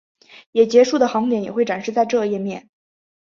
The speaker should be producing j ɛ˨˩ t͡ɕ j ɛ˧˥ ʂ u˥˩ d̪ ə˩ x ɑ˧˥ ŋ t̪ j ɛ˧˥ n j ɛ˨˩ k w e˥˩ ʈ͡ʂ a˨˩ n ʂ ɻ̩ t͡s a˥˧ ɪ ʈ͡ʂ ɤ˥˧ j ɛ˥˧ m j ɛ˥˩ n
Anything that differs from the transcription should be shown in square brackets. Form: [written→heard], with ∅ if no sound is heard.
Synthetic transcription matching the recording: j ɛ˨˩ t͡ɕ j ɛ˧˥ ʂ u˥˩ d̪ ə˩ x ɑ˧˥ ŋ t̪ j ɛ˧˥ n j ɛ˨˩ [k→x] w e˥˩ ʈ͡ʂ a˨˩ n ʂ ɻ̩ t͡s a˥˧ ɪ ʈ͡ʂ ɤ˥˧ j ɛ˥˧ m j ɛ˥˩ n

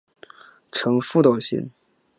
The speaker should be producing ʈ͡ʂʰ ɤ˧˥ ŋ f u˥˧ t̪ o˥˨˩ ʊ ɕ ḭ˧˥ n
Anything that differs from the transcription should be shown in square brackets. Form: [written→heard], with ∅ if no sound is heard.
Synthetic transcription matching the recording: ʈ͡ʂʰ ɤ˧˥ ŋ f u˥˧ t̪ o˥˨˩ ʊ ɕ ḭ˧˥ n

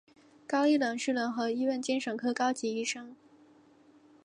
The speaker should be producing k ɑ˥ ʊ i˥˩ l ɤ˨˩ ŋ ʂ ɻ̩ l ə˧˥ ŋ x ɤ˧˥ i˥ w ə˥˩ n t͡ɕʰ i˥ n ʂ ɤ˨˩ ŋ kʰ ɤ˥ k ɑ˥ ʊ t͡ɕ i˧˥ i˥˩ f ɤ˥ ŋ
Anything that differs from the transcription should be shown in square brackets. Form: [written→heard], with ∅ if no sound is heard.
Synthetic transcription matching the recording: k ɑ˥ ʊ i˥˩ l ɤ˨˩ ŋ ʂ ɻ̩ l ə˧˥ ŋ x ɤ˧˥ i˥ w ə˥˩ n [t͡ɕʰ→t͡ɕ] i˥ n ʂ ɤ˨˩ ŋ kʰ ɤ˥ k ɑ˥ ʊ t͡ɕ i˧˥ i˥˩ [f→ʂ] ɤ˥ ŋ

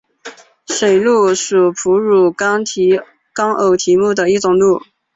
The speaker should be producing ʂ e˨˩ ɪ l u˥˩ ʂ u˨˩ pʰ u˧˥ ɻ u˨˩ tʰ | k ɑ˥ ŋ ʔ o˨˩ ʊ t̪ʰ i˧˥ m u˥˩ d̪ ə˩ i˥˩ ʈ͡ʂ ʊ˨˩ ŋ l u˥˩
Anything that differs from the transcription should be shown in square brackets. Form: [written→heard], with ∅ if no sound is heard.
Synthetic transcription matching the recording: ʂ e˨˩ ɪ l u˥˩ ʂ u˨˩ pʰ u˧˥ ɻ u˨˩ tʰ | k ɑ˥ ŋ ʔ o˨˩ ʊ t̪ʰ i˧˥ m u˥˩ d̪ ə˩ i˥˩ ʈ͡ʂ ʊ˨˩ ŋ l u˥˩

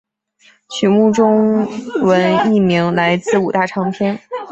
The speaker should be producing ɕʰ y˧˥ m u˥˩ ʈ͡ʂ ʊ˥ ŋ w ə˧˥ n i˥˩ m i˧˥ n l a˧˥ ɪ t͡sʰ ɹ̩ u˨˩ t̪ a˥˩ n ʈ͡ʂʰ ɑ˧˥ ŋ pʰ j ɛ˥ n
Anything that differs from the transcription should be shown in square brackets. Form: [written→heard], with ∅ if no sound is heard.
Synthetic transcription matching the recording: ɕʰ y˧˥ m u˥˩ ʈ͡ʂ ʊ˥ ŋ w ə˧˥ n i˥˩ m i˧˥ [n→ŋ] l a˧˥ ɪ [t͡sʰ→t͡s] ɹ̩ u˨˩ t̪ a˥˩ [n→∅] ʈ͡ʂʰ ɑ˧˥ ŋ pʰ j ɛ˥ n

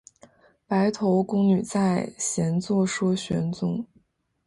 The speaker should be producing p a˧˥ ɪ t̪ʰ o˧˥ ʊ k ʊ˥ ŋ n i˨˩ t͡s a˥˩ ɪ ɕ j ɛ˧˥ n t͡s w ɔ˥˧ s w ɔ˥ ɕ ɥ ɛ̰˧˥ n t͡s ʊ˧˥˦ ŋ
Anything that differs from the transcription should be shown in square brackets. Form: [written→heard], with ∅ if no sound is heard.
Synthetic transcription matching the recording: p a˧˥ ɪ t̪ʰ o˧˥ ʊ k ʊ˥ ŋ n [i˨˩→y˨˩] t͡s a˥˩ ɪ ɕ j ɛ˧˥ n t͡s w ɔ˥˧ [s→ʂ] w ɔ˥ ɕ ɥ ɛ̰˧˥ n t͡s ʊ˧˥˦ ŋ

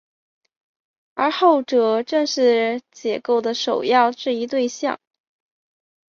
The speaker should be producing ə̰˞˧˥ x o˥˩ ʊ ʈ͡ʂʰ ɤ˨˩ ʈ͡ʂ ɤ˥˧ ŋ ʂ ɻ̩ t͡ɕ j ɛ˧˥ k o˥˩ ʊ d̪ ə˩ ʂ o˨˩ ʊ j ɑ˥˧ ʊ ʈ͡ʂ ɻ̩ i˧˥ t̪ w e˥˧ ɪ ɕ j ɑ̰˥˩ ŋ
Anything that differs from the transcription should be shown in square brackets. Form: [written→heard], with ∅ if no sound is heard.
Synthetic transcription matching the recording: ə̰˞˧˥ x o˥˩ ʊ [ʈ͡ʂʰ→ʈ͡ʂ] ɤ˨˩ ʈ͡ʂ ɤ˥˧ ŋ ʂ ɻ̩ t͡ɕ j [ɛ˧˥→ɛ˨˩] k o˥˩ ʊ d̪ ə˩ ʂ o˨˩ ʊ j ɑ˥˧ ʊ ʈ͡ʂ ɻ̩ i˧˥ t̪ w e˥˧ ɪ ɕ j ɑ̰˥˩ ŋ

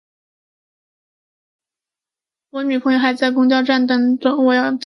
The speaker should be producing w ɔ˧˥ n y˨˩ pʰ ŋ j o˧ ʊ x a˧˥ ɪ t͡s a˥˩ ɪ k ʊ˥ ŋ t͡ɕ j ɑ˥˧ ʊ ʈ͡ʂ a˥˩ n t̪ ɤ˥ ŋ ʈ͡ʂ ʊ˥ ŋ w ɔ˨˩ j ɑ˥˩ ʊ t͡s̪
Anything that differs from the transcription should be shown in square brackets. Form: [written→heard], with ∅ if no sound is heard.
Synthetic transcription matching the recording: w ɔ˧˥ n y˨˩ pʰ ŋ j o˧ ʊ x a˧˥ ɪ t͡s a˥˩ ɪ k ʊ˥ ŋ t͡ɕ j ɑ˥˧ ʊ ʈ͡ʂ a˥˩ n t̪ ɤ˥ ŋ ʈ͡ʂ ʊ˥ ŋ w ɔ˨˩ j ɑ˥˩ ʊ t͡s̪

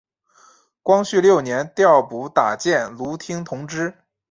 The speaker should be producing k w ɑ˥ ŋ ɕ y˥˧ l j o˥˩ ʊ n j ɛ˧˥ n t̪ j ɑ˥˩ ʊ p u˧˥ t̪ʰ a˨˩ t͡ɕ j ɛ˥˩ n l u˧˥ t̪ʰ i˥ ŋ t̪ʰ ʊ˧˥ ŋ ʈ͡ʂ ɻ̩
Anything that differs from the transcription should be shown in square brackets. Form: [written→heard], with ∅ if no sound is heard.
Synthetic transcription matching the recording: k w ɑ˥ ŋ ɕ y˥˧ l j o˥˩ ʊ n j ɛ˧˥ n t̪ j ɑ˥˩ ʊ p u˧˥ [t̪ʰ→t̪] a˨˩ t͡ɕ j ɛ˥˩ n l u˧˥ t̪ʰ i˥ ŋ t̪ʰ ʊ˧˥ ŋ ʈ͡ʂ ɻ̩

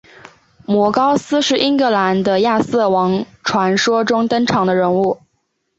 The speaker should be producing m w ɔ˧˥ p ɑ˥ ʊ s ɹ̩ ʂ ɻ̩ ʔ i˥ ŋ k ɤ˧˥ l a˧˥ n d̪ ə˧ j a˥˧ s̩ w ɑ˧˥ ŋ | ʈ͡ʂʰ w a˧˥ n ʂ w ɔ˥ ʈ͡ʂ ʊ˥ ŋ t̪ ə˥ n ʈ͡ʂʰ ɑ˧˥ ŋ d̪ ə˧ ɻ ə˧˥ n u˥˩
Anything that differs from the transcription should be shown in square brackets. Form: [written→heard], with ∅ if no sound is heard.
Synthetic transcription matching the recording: m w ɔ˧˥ [p→k] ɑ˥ ʊ s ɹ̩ ʂ ɻ̩ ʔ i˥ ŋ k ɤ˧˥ l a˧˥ n d̪ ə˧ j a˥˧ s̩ w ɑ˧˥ ŋ | ʈ͡ʂʰ w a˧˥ n ʂ w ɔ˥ ʈ͡ʂ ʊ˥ ŋ t̪ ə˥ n ʈ͡ʂʰ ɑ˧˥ ŋ d̪ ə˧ ɻ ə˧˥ n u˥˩

